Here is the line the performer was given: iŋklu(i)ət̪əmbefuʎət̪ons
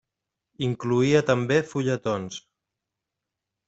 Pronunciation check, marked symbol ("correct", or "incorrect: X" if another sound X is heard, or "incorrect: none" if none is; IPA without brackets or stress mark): correct